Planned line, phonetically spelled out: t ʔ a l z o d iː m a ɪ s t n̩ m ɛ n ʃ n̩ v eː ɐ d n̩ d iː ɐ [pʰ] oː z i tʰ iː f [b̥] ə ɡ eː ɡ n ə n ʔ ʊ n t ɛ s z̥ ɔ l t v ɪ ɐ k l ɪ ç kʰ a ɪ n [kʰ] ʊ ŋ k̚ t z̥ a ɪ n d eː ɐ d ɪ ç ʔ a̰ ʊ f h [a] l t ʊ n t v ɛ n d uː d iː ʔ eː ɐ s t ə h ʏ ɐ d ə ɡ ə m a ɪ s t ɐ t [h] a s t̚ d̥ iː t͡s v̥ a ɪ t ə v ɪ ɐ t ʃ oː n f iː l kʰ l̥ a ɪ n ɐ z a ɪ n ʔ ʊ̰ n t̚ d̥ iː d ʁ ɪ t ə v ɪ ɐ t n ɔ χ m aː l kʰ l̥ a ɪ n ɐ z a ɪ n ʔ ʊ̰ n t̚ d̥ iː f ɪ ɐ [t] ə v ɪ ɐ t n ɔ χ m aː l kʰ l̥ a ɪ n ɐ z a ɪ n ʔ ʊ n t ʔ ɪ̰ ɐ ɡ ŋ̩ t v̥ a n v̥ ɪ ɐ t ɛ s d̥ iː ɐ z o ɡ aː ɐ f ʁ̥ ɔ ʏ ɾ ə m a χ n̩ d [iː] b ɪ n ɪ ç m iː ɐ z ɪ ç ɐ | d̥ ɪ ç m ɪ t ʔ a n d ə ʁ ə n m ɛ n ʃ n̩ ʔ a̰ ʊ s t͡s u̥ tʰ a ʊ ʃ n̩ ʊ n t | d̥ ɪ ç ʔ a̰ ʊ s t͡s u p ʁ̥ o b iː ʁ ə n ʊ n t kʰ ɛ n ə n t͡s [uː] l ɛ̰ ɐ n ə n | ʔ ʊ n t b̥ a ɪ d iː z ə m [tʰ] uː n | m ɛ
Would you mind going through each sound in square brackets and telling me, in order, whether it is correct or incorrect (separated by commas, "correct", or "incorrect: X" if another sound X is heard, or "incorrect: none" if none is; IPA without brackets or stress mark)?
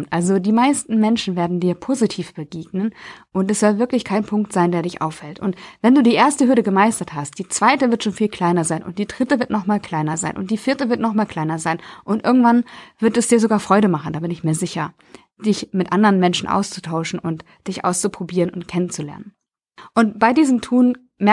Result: correct, correct, incorrect: pʰ, incorrect: ɛ, correct, correct, incorrect: aː, incorrect: u, correct